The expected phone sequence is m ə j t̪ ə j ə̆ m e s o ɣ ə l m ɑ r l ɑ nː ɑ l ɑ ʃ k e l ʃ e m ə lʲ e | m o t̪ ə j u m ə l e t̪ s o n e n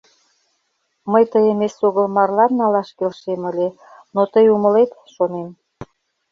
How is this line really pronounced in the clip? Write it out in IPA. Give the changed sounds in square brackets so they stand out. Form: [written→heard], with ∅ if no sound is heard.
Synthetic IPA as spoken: m ə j t̪ ə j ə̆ m e s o ɣ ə l m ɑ r l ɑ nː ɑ l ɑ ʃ k e l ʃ e m ə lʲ e | [m→n] o t̪ ə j u m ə l e t̪ [s→ʃ] o n e [n→m]